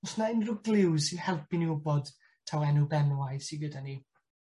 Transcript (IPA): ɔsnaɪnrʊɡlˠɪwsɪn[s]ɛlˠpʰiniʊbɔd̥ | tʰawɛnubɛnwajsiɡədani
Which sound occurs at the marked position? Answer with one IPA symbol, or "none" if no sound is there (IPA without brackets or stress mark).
h